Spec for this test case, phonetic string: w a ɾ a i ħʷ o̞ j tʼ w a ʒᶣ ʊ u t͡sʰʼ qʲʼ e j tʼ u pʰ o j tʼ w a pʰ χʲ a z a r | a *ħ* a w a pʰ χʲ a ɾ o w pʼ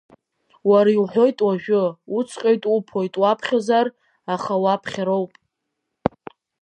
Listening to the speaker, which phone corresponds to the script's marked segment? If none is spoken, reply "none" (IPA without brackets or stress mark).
χ